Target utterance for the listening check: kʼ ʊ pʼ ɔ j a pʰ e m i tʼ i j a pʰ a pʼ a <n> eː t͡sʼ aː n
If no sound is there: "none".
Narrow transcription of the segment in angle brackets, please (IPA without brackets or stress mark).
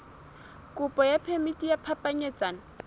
ɲ